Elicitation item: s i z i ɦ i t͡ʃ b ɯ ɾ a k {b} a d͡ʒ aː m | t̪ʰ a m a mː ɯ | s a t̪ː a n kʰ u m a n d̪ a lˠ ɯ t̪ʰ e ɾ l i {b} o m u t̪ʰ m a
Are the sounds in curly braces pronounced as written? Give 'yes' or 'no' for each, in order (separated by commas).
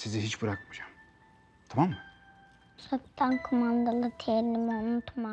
no, no